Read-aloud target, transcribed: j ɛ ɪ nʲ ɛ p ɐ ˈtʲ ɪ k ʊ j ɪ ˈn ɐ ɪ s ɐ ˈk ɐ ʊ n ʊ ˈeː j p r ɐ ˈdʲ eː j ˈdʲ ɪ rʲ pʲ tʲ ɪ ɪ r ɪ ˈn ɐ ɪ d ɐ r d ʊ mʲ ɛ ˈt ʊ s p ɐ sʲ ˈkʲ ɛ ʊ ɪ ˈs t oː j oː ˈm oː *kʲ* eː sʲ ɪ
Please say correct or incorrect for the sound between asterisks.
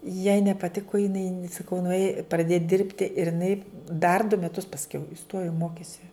correct